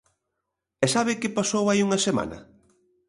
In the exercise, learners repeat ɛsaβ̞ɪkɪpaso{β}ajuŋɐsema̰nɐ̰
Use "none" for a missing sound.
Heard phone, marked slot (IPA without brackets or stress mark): w